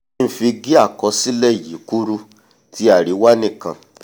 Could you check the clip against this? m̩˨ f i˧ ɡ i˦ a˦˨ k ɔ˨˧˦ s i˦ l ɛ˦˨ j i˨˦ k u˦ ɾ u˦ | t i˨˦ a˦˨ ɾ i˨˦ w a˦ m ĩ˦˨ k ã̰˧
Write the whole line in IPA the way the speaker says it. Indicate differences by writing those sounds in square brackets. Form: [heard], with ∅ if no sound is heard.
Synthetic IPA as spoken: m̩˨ f i˧ ɡ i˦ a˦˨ k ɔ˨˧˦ s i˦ l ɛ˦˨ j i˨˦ k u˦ ɾ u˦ | t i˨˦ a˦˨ ɾ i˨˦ w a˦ [n] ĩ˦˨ k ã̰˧